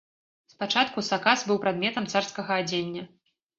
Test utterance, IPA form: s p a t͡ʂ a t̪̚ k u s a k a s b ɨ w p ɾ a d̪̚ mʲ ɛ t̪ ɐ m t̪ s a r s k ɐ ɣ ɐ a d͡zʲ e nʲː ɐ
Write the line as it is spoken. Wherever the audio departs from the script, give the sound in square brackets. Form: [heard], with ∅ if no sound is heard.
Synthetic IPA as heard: s p a t͡ʂ a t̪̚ k u s a k a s b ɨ w p ɾ a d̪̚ mʲ ɛ t̪ ɐ m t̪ s a r s k ɐ ɣ ɐ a d͡zʲ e nʲː ɐ